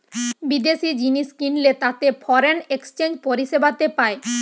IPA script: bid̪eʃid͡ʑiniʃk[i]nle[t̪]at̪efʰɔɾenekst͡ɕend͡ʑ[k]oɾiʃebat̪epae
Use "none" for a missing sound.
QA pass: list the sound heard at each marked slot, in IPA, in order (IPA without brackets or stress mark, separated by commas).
i, t̪, p